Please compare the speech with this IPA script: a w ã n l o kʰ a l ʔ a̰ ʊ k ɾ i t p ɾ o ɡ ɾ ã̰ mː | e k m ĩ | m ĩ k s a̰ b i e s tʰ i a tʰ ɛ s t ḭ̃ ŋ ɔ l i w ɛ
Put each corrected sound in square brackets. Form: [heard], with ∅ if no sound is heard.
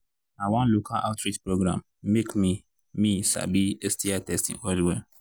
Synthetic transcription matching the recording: a w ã n l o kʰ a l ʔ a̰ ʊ [t] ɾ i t p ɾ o ɡ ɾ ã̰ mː | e k m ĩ | m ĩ [∅] s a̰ b i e s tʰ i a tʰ ɛ s t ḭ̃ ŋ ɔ l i w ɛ